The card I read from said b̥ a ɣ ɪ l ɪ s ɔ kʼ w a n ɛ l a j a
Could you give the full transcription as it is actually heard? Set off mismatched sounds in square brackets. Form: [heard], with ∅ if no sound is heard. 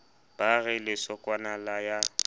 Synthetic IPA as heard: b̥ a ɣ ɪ l ɪ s ɔ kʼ w a n [a] l a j a